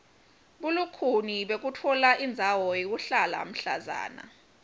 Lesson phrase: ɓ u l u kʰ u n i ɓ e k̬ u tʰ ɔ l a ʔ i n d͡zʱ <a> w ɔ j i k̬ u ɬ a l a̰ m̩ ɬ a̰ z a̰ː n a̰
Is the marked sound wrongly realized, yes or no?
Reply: no